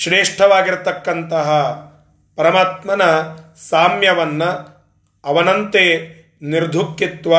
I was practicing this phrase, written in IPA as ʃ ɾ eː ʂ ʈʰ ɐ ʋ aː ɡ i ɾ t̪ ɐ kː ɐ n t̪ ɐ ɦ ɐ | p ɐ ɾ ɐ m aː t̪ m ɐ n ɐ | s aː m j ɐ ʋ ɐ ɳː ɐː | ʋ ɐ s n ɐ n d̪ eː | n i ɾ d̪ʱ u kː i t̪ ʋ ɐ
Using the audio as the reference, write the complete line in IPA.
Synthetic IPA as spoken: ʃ ɾ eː ʂ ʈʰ ɐ ʋ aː ɡ i ɾ t̪ ɐ kː ɐ n t̪ ɐ ɦ ɐ | p ɐ ɾ ɐ m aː t̪ m ɐ n ɐ | s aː m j ɐ ʋ ɐ nː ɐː | ʋ ɐ n ɐ n t̪ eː | n i ɾ d̪ʱ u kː i t̪ ʋ ɐ